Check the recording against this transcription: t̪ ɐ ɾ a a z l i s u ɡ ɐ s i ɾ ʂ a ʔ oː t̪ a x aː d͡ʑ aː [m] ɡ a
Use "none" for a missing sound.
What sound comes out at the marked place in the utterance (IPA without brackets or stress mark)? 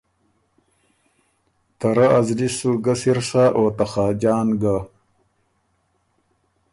n